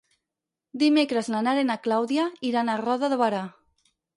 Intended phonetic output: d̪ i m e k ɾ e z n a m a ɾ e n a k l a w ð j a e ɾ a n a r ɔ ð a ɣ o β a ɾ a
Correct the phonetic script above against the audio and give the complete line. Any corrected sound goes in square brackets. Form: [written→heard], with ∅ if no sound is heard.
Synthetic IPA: d̪ i m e k ɾ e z n a [m→n] a ɾ e n a k l a w ð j a [e→i] ɾ a n a r ɔ ð a [ɣ→ð] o β a ɾ a